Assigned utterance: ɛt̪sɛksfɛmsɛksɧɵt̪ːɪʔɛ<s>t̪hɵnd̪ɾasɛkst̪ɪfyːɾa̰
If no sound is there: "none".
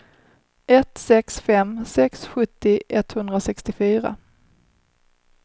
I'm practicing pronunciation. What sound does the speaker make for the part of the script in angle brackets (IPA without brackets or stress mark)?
none